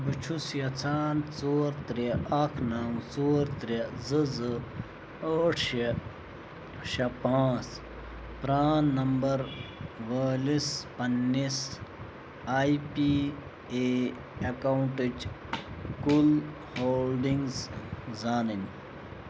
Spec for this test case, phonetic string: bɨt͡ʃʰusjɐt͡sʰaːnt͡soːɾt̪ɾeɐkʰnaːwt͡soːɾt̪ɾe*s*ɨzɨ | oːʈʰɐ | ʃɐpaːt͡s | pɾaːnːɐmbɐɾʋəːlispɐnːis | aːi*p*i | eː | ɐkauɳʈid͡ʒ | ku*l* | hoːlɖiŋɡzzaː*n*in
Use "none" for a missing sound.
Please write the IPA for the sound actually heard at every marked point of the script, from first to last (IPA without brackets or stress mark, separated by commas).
z, p, l, n